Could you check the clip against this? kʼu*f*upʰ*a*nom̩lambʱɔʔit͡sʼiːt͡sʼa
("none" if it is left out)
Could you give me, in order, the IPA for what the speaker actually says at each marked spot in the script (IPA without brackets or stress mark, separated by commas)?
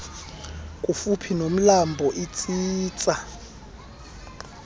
f, i